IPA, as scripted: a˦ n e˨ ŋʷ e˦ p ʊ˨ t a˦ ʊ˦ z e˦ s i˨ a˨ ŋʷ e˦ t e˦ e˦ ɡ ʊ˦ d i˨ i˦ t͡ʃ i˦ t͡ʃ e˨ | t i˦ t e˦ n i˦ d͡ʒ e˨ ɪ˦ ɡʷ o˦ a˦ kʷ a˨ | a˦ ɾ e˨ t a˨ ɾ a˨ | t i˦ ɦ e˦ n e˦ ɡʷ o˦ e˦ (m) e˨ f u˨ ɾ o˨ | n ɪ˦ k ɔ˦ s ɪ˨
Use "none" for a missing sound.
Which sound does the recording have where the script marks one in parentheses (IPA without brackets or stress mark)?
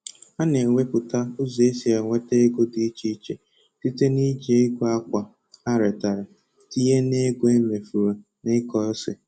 m